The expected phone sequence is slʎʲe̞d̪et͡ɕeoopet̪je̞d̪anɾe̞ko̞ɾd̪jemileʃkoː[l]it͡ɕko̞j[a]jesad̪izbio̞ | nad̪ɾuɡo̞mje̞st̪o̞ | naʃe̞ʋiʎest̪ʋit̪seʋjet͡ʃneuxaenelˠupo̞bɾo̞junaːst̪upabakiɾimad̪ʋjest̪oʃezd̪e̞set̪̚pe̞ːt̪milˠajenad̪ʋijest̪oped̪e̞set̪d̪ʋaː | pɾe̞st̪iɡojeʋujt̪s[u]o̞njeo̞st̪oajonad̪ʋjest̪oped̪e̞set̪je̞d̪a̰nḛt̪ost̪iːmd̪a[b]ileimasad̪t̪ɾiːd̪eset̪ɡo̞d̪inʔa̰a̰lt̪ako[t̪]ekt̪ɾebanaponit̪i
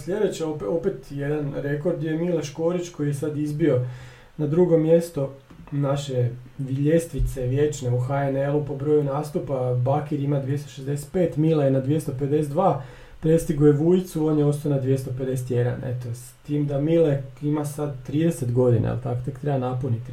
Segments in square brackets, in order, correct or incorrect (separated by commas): incorrect, incorrect, correct, incorrect, correct